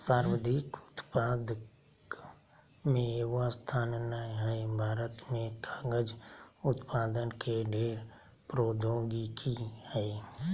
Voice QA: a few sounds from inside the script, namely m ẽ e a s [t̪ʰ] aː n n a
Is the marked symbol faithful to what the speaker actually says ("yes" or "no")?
yes